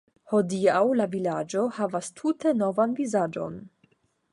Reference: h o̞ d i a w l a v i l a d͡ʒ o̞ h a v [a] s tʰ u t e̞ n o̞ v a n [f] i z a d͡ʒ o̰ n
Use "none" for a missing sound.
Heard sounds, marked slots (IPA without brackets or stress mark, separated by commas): a, v